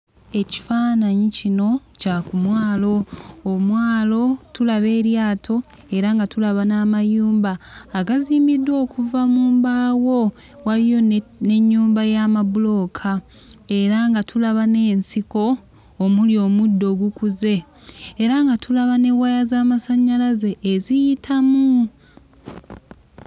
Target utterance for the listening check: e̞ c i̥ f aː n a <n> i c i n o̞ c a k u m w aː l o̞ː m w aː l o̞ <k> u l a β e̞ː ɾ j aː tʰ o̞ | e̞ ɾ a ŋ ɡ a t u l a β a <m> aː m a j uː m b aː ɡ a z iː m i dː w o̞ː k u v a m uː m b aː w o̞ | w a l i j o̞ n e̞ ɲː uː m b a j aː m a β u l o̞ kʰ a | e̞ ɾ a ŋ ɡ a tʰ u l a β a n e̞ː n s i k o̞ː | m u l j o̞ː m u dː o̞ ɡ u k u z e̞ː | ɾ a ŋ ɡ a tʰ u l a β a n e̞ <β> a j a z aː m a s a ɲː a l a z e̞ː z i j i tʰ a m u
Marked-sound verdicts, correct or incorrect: incorrect: ɲ, incorrect: t, incorrect: n, incorrect: w

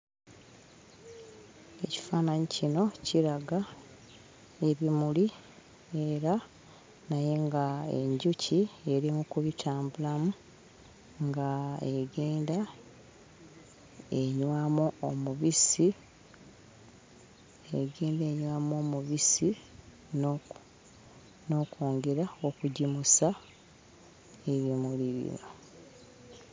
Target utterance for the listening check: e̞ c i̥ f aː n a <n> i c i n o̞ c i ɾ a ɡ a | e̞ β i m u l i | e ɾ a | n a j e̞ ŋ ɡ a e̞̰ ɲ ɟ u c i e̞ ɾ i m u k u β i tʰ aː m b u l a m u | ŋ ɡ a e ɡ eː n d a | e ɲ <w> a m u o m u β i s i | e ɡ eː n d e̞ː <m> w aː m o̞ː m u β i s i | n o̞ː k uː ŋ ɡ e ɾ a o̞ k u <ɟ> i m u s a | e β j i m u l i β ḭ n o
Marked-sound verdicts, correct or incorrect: incorrect: ɲ, correct, incorrect: ɲ, correct

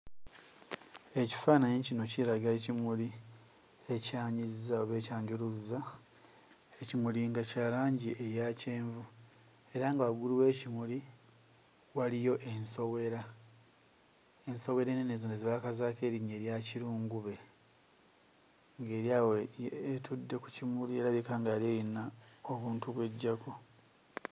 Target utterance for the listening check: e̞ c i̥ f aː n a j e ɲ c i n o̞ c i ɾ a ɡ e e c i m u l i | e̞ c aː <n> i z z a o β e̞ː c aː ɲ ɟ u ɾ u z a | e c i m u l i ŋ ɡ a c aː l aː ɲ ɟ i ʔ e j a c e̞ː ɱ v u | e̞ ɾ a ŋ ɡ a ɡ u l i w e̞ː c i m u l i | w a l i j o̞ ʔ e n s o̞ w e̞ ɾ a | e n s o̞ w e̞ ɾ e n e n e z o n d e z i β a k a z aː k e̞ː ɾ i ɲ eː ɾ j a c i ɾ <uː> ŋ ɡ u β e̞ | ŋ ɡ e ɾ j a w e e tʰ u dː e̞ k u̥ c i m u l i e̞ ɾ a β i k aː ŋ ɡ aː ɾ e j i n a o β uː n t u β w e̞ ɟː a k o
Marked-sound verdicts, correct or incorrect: incorrect: ɲ, correct

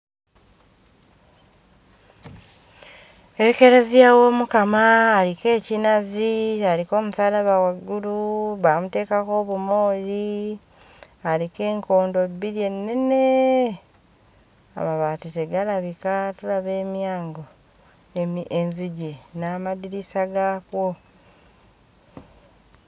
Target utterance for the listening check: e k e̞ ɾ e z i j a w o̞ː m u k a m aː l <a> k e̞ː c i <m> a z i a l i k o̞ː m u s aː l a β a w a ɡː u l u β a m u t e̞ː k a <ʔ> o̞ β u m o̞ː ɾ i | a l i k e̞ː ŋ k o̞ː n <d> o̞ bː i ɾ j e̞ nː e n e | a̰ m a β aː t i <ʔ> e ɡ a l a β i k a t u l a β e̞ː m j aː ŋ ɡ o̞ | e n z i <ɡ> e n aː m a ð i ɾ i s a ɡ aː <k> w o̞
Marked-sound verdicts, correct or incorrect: incorrect: i, incorrect: n, incorrect: k, correct, incorrect: t, incorrect: ɟ, correct

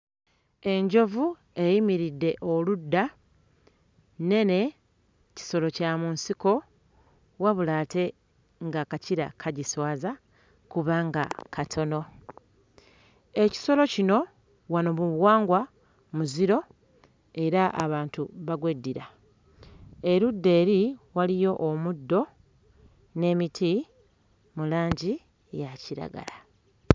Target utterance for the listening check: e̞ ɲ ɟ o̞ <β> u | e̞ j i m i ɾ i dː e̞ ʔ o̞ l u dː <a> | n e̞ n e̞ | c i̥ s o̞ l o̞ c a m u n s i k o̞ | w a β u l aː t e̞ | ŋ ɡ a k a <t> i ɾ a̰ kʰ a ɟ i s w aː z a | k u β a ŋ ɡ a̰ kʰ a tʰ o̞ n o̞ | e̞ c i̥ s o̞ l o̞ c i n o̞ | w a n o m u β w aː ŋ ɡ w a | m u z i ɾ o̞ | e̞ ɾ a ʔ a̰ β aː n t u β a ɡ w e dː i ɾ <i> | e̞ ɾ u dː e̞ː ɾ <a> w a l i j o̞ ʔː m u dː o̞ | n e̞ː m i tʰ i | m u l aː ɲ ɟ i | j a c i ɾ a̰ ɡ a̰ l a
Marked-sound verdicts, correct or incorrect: incorrect: v, correct, incorrect: c, incorrect: a, incorrect: i

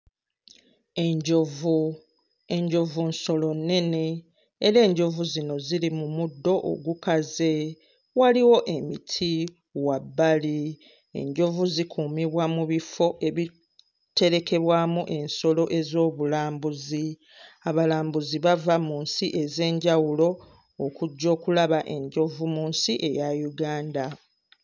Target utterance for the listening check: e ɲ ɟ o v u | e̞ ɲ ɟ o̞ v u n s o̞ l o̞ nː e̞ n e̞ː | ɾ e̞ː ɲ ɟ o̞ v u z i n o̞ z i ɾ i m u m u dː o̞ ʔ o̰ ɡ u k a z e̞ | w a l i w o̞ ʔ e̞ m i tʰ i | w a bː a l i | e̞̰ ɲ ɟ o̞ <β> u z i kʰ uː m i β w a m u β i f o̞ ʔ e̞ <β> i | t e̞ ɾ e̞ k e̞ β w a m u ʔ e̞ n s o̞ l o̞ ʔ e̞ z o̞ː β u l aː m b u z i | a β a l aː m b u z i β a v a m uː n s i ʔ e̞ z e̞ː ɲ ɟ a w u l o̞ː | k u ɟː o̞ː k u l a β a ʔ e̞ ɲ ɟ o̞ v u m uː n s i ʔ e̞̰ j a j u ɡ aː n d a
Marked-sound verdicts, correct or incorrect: incorrect: v, correct

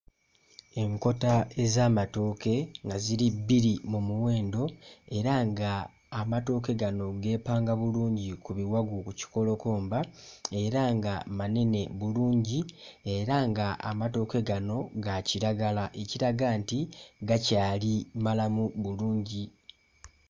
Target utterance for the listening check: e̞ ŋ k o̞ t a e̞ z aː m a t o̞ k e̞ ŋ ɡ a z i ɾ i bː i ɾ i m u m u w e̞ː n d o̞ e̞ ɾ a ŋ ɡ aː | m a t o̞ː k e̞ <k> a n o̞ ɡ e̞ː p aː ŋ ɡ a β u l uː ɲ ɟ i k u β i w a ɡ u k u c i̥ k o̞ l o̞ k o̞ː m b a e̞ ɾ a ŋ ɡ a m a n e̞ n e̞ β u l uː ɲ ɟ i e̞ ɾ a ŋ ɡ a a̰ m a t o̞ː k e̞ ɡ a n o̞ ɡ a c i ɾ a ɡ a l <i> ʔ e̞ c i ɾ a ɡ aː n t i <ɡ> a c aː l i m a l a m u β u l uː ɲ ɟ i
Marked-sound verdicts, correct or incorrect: incorrect: ɡ, incorrect: a, correct

